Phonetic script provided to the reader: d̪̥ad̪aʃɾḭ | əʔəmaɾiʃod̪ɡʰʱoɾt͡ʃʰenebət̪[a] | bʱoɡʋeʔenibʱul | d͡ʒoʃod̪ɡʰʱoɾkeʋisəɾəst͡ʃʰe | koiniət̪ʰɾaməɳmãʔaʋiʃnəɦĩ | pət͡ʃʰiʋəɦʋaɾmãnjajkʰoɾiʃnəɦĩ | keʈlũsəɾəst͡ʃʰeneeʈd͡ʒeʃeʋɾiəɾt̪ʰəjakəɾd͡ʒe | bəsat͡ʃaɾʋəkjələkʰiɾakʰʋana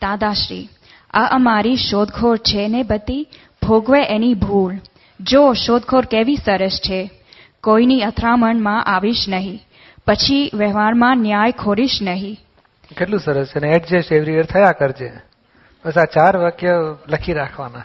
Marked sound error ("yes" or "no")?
yes